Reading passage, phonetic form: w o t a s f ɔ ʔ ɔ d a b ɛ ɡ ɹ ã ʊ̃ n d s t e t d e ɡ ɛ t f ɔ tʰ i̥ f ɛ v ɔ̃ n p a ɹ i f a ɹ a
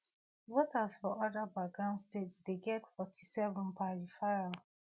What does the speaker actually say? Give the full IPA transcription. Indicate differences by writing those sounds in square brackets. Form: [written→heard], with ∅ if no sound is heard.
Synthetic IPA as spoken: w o t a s f ɔ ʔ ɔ d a b [ɛ→a] ɡ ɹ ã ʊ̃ n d s t e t d e ɡ ɛ t f ɔ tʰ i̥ [f→s] ɛ v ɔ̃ n p a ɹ i f a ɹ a